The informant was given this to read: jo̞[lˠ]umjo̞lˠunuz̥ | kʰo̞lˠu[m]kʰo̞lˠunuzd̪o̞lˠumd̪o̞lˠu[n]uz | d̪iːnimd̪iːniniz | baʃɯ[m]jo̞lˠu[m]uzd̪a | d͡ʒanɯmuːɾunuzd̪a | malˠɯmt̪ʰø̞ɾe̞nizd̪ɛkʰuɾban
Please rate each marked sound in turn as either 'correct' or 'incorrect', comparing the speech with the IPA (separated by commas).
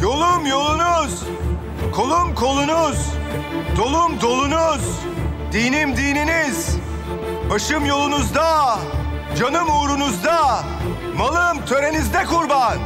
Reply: correct, correct, correct, correct, incorrect